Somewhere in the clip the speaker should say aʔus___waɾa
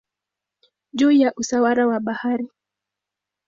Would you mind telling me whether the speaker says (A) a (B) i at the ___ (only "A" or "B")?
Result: A